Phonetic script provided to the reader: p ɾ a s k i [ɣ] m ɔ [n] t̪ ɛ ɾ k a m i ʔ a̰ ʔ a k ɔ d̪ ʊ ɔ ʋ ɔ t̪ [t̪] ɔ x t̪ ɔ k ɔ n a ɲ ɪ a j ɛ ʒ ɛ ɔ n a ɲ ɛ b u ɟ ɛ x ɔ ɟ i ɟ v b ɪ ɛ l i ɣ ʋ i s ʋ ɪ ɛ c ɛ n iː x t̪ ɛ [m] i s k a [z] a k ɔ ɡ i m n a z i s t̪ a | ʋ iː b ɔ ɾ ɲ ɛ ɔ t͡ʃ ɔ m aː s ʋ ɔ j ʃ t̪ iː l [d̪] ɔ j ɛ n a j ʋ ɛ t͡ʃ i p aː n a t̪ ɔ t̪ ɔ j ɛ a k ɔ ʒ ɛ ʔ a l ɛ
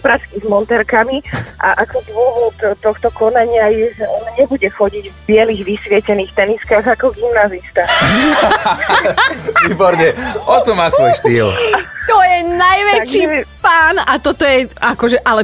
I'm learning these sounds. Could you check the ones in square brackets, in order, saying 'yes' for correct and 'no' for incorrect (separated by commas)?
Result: no, yes, yes, no, no, no